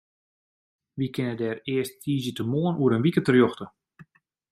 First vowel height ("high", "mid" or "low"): high